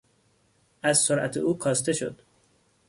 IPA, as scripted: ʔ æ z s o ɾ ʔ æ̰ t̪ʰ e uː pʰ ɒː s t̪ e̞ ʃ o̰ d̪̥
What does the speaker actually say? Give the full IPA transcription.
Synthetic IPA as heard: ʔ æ z s o ɾ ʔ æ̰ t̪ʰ e uː kʰ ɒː s t̪ e̞ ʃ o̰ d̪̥